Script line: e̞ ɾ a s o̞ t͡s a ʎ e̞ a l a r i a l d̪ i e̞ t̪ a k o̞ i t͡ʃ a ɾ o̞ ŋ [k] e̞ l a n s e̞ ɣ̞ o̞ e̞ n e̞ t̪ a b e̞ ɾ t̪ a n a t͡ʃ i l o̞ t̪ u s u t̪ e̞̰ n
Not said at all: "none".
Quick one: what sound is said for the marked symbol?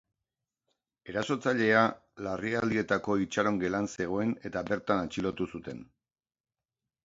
ɡ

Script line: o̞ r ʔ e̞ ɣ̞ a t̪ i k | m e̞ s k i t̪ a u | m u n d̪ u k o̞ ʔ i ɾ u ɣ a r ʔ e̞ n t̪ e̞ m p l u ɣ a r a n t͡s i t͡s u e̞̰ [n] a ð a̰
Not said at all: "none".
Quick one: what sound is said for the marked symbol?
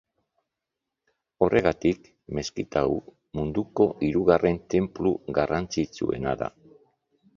n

